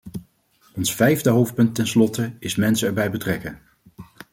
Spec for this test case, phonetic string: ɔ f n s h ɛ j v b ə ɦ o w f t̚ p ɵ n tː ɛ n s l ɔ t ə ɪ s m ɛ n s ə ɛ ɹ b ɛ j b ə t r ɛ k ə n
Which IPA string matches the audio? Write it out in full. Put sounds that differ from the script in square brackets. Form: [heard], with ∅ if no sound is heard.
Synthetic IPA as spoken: ɔ [∅] n s [f] ɛ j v [d] ə ɦ o w f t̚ p ɵ n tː ɛ n s l ɔ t ə ɪ s m ɛ n s ə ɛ ɹ b ɛ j b ə t r ɛ k ə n